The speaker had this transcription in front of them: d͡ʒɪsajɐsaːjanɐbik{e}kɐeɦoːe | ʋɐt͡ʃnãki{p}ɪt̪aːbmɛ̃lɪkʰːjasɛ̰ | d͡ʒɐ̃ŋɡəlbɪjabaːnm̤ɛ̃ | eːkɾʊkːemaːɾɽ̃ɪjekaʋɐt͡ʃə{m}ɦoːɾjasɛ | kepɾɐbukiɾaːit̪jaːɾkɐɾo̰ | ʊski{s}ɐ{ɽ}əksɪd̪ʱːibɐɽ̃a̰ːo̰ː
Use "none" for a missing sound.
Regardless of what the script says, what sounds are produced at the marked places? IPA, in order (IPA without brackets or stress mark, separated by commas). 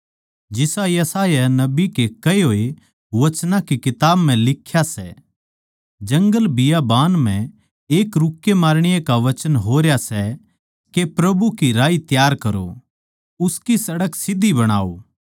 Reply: e, k, n, s, ɽ